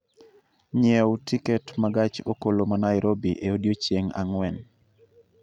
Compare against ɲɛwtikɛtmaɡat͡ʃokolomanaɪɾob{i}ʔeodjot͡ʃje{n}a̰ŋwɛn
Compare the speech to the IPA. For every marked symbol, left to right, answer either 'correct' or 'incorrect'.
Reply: correct, incorrect

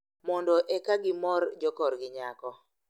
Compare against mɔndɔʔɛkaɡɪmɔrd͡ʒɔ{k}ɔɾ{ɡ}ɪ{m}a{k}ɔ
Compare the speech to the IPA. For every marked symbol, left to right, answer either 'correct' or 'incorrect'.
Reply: correct, correct, incorrect, correct

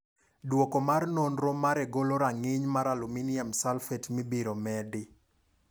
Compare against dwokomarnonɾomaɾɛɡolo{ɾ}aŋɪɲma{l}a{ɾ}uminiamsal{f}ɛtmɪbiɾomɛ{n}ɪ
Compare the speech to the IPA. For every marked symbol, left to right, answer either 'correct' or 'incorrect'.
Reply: correct, incorrect, incorrect, correct, incorrect

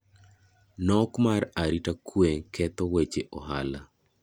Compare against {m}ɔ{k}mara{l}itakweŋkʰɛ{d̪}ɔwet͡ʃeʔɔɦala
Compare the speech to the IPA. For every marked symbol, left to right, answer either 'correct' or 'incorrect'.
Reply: incorrect, correct, incorrect, incorrect

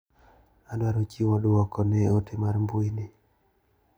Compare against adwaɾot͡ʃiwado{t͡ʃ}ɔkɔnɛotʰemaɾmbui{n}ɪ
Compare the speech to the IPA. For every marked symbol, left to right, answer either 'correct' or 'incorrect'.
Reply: incorrect, correct

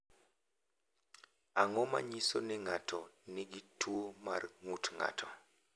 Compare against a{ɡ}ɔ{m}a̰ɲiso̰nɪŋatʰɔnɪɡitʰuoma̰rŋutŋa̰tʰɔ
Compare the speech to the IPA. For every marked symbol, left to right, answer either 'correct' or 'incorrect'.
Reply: incorrect, correct

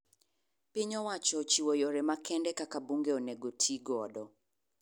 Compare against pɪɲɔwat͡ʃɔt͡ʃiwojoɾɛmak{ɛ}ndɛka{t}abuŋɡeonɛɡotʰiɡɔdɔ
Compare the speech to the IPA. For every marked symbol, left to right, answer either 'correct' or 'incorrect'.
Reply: correct, incorrect

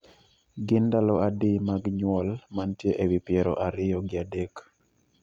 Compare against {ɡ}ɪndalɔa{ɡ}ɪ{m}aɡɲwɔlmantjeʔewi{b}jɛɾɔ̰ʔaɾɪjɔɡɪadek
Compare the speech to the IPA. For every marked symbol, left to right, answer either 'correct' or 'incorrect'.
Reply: correct, incorrect, correct, incorrect

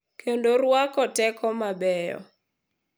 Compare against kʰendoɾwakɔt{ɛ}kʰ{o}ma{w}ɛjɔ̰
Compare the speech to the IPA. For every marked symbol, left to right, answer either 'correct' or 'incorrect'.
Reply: correct, incorrect, incorrect

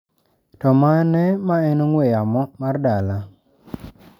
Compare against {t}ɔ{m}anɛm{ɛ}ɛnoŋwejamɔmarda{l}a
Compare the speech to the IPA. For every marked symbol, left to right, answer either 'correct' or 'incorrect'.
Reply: correct, correct, incorrect, correct

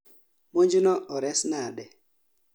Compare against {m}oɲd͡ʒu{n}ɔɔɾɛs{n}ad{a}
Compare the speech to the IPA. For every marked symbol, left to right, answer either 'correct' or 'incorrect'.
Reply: correct, correct, correct, incorrect

